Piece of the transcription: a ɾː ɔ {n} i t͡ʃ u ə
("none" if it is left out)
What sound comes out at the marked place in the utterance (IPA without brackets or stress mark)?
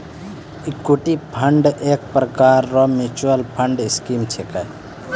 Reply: m